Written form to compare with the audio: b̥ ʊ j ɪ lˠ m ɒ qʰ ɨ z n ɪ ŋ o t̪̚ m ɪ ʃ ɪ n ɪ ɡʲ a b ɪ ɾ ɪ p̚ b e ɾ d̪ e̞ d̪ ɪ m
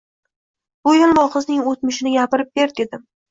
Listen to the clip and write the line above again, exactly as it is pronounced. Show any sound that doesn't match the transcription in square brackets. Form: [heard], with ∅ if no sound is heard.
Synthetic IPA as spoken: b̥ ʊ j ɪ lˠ m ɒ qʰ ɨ z n ɪ ŋ o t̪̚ m ɪ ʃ ɪ n ɪ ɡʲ a [p] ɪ ɾ ɪ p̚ b e ɾ d̪ e̞ d̪ ɪ m